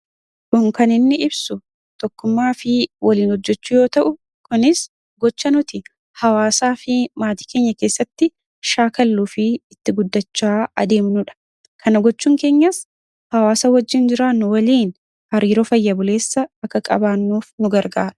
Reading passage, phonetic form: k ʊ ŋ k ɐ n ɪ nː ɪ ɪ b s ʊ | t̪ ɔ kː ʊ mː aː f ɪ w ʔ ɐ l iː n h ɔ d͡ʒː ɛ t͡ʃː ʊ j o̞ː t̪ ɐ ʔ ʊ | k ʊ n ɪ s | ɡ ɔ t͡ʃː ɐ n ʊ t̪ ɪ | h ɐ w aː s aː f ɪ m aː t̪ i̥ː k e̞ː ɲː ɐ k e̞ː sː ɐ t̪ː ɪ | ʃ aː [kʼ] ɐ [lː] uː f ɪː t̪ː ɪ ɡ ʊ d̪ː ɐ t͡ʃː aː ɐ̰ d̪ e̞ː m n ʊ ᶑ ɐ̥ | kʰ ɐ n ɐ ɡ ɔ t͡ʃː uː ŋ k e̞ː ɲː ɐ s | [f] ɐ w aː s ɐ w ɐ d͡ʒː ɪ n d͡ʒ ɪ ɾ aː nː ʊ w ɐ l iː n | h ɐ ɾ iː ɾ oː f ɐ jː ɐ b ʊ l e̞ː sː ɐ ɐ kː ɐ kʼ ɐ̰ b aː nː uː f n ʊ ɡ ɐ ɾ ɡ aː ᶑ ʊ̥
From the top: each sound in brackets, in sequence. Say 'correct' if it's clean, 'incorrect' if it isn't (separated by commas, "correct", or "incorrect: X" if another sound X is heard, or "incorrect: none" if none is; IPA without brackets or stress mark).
incorrect: k, correct, incorrect: h